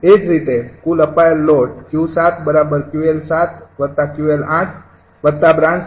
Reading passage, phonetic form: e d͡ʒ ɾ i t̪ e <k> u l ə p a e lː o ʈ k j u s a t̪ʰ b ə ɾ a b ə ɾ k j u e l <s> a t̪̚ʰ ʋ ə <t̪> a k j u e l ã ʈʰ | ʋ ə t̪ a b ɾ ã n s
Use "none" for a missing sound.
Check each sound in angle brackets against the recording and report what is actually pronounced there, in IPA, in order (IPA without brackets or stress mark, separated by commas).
k, s, t̪